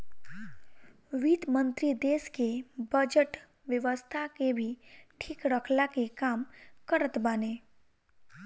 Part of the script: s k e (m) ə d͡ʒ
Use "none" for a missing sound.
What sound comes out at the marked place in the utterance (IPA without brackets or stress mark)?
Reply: b